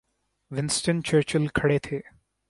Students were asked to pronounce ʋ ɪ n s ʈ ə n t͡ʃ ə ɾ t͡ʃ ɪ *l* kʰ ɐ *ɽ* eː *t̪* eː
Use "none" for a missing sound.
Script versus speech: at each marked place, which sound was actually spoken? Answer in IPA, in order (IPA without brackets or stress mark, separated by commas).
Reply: l, ɽ, t̪ʰ